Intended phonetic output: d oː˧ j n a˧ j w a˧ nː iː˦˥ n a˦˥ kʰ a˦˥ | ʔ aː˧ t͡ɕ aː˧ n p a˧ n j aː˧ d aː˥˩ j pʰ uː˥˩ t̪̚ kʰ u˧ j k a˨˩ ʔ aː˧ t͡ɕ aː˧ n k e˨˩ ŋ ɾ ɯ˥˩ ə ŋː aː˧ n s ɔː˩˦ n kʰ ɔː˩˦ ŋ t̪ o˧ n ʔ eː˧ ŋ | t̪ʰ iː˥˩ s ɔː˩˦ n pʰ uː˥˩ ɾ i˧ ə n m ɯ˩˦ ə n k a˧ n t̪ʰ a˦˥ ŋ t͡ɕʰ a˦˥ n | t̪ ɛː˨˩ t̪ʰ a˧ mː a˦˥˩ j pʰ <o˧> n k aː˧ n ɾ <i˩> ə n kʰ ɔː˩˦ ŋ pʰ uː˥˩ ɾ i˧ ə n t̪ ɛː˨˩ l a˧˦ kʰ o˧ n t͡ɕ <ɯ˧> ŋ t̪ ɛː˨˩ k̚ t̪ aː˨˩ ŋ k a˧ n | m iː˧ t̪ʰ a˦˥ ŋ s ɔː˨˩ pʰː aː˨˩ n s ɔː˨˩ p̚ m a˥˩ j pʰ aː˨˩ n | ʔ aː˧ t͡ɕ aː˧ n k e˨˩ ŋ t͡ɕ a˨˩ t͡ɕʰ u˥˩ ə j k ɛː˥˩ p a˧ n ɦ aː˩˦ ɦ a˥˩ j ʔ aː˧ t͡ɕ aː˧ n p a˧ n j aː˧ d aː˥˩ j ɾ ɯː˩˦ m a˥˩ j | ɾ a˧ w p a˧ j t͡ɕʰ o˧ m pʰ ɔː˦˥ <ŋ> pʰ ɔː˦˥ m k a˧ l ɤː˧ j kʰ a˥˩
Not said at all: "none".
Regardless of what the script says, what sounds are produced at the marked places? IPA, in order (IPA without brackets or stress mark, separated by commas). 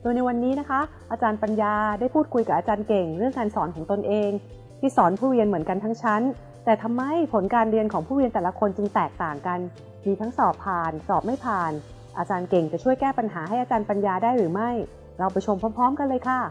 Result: o˩˦, i˧, ɯ˧, m